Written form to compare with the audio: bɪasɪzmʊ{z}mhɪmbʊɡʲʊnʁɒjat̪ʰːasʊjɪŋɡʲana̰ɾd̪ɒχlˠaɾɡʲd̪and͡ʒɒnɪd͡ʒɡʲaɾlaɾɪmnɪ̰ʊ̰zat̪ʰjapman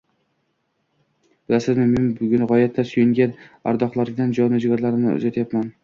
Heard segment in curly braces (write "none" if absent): none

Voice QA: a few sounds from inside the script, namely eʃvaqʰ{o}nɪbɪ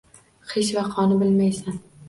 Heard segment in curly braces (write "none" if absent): ɒ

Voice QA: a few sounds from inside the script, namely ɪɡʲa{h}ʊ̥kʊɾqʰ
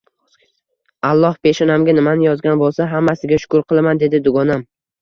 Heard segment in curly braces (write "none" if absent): ʃ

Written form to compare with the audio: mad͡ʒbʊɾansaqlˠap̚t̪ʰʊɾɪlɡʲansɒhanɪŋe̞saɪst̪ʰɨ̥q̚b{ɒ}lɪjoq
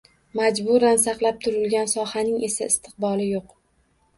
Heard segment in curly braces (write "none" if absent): ɒ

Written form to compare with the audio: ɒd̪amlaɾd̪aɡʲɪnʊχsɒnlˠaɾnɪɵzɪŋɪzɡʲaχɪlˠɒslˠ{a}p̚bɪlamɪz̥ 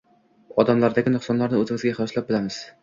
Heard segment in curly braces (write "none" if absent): a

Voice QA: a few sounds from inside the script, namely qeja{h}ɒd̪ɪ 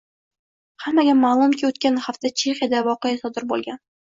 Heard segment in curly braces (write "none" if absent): s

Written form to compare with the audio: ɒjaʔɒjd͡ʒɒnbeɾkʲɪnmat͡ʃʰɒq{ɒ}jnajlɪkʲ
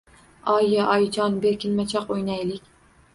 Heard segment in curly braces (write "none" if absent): o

